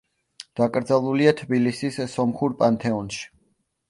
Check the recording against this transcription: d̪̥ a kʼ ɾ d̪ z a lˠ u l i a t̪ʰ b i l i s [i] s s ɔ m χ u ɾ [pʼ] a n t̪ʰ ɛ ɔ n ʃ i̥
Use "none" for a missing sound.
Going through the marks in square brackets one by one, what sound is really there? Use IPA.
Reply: i, pʼ

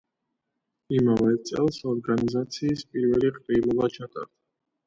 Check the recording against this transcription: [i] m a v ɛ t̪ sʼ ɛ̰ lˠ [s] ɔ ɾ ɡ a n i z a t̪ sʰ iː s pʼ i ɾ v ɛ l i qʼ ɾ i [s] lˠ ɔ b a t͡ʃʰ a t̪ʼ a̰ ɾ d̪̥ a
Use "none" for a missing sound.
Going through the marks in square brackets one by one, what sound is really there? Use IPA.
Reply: i, s, none

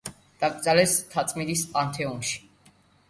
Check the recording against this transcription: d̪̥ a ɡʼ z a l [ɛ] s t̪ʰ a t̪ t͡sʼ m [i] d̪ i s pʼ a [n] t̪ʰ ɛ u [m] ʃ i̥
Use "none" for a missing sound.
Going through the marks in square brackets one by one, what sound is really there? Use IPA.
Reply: ɛ, i, n, n

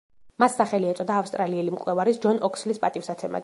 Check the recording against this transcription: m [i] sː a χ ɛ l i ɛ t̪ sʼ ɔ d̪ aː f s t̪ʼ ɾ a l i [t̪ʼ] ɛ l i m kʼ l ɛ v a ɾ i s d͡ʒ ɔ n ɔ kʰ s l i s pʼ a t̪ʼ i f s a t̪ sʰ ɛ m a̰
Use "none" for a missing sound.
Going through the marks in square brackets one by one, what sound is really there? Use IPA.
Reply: a, none

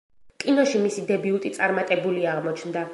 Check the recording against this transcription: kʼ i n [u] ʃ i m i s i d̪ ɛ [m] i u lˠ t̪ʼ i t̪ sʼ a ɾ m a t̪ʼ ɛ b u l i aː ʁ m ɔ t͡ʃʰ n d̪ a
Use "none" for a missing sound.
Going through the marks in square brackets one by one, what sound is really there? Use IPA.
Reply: ɔ, b

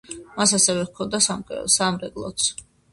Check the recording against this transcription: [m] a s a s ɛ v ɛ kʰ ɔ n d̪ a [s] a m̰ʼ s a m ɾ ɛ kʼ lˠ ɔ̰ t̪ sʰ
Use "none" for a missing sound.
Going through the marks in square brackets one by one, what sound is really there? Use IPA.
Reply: m, s

